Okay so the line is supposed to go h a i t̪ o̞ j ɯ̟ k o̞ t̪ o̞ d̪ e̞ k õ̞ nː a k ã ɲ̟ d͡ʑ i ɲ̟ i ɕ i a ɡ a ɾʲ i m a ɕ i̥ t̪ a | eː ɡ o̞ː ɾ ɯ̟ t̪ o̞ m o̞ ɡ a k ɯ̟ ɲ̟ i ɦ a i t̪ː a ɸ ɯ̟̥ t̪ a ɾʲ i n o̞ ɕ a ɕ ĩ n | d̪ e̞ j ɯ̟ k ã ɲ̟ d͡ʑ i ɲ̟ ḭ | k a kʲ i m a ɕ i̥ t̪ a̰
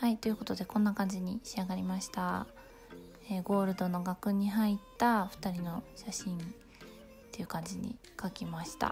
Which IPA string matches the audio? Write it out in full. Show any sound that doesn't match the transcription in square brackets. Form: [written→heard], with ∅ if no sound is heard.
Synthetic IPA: h a i t̪ o̞ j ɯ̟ k o̞ t̪ o̞ d̪ e̞ k õ̞ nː a k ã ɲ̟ d͡ʑ i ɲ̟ i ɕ i a ɡ a ɾʲ i m a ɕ i̥ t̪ a | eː ɡ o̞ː ɾ ɯ̟ [t̪→d̪] o̞ [m→n] o̞ ɡ a k ɯ̟ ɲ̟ i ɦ a i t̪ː a ɸ ɯ̟̥ t̪ a ɾʲ i n o̞ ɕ a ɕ ĩ n | [d̪→t̪] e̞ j ɯ̟ k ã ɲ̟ d͡ʑ i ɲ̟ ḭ | k a kʲ i m a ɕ i̥ t̪ a̰